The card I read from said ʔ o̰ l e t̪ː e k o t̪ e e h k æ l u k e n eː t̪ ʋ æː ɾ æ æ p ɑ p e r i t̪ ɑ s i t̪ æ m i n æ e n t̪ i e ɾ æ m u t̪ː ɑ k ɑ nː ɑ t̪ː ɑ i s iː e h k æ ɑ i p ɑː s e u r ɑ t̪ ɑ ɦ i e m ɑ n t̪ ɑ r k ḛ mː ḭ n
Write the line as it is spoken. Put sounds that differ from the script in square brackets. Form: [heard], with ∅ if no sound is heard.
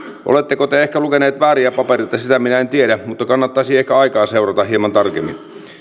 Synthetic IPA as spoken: ʔ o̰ l e t̪ː e k o t̪ e e h k æ l u k e n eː t̪ ʋ æː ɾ [i] æ p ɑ p e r i t̪ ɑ s i t̪ æ m i n æ e n t̪ i e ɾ æ m u t̪ː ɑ k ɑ nː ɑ t̪ː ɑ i s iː e h k æ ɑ i [k] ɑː s e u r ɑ t̪ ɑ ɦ i e m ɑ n t̪ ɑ r k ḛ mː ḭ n